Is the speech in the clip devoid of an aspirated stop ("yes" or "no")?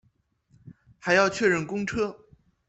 no